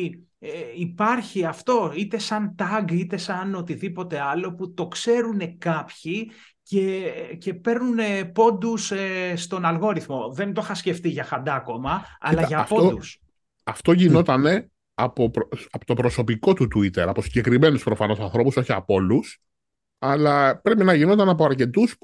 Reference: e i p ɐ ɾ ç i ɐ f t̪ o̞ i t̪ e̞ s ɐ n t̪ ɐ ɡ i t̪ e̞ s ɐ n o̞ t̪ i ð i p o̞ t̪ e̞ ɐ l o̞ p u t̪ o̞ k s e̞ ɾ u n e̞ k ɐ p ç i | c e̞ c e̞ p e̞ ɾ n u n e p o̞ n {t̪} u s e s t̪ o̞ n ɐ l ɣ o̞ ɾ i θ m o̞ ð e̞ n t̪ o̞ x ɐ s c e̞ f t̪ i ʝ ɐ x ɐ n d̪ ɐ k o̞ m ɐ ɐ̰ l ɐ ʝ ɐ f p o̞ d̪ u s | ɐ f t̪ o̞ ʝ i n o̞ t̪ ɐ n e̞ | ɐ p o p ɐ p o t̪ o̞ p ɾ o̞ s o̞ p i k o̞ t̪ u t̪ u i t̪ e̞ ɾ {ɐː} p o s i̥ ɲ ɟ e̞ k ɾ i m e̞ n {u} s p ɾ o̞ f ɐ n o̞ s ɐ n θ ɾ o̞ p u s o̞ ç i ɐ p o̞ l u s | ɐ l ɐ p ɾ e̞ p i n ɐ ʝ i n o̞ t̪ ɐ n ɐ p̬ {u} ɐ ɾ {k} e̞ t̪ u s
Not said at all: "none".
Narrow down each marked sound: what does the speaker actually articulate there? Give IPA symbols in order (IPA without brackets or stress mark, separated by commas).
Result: d̪, ɐ, u, o, c